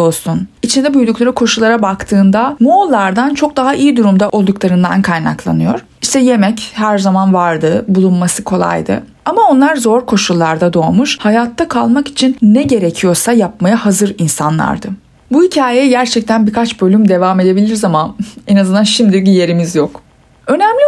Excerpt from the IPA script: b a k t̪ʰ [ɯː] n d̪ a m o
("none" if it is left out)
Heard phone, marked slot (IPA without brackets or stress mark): ɯː